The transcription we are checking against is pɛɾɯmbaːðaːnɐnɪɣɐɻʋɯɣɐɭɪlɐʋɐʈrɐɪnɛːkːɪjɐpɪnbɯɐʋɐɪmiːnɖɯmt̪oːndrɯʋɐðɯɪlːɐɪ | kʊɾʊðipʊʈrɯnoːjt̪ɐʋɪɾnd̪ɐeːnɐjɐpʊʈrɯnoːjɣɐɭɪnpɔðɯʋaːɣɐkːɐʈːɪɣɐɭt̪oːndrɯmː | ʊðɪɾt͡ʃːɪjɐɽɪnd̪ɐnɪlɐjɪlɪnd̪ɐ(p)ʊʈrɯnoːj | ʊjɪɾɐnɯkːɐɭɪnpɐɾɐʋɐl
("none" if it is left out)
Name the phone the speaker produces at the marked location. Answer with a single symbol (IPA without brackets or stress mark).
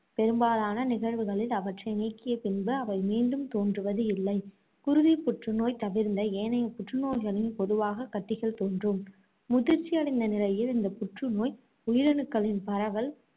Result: p